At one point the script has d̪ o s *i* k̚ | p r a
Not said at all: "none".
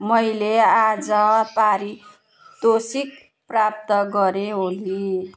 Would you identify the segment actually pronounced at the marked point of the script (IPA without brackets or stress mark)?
i